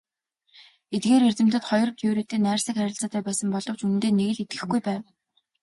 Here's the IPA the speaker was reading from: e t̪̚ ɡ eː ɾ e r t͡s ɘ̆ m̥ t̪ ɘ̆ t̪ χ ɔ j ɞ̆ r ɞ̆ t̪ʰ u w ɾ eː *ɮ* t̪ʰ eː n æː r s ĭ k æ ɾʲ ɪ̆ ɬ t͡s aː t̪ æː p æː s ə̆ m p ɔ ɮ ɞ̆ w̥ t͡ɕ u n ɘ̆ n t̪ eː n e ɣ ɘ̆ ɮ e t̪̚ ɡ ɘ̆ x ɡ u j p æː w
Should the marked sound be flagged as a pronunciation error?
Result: yes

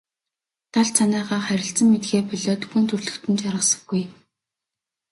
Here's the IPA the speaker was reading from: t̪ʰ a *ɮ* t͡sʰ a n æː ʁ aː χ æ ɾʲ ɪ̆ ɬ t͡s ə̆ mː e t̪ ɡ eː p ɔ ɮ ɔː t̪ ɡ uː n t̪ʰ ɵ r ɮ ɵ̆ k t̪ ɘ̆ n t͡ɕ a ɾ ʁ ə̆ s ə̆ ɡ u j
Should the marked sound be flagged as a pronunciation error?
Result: no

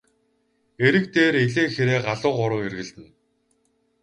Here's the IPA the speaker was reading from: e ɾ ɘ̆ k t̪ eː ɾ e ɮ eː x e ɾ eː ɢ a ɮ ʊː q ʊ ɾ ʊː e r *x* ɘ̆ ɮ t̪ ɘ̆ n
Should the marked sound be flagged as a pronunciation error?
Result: yes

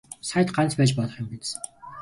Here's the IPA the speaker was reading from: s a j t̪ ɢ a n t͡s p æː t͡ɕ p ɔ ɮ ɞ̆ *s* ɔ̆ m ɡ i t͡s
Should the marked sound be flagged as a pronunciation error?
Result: yes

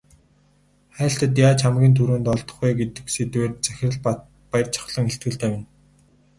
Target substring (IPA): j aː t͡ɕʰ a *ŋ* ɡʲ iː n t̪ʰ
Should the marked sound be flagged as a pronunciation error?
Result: yes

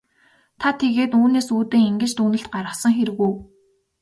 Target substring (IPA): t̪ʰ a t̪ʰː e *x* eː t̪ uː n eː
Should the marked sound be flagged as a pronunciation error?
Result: yes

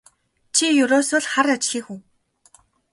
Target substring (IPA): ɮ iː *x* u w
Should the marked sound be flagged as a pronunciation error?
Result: no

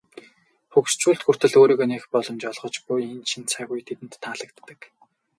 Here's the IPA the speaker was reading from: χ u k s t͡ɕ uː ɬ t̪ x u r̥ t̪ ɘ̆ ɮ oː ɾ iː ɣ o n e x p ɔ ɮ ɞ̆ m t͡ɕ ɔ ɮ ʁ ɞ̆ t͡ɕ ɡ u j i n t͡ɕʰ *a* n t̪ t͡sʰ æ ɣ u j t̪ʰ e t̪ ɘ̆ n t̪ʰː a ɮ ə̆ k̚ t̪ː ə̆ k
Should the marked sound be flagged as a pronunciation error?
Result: yes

